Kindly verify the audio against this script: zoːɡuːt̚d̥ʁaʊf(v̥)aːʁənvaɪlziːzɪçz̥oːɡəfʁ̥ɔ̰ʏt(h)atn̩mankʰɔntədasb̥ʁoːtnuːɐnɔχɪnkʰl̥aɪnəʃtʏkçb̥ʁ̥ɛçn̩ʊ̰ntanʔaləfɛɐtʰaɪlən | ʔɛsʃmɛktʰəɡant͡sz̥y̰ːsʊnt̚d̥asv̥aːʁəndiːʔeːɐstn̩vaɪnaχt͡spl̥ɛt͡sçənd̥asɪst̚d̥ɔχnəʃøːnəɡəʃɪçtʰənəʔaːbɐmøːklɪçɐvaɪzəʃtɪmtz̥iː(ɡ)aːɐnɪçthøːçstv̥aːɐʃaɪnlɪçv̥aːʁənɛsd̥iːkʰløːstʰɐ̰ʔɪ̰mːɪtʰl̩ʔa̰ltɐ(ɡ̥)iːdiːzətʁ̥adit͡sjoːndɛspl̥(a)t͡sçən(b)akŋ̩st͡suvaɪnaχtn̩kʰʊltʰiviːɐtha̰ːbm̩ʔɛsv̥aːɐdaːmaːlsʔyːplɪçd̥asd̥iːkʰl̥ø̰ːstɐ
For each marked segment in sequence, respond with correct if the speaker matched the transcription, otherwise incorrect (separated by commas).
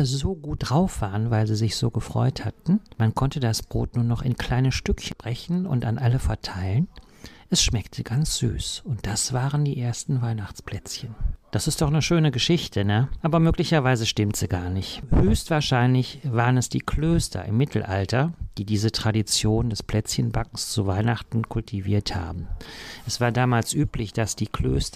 correct, correct, correct, incorrect, incorrect, correct